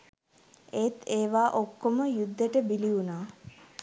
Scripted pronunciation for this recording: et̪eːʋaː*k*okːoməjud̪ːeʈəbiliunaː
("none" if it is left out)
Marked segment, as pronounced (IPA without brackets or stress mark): ʔ